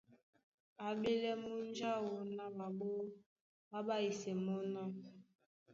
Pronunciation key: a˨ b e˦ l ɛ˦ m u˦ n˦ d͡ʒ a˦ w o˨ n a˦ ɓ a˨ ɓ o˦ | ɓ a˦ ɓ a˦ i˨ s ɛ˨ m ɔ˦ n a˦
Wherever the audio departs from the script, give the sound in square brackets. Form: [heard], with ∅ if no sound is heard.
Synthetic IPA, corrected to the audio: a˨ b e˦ l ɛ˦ m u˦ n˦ d͡ʒ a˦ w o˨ n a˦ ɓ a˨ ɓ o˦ | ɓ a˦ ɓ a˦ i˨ s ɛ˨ m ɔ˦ n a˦